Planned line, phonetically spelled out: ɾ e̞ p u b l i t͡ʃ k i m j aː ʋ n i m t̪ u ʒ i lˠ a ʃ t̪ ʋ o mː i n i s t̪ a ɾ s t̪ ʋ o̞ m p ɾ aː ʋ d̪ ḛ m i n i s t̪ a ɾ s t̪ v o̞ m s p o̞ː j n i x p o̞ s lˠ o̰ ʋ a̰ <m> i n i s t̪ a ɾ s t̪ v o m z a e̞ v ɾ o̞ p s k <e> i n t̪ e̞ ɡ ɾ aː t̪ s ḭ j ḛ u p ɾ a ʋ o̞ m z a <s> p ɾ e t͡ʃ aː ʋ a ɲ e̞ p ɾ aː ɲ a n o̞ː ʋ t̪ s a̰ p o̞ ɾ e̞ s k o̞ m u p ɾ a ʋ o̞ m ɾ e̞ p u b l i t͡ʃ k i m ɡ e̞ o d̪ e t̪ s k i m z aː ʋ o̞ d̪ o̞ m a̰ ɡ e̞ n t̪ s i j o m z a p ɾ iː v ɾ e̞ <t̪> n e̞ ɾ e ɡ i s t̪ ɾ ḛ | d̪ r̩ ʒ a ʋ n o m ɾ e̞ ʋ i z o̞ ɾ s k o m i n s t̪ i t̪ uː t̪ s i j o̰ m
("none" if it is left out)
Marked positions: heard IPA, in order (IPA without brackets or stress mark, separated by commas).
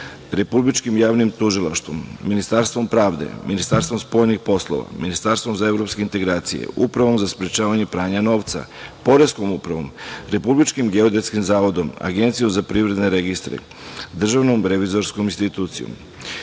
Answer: m, e, s, d̪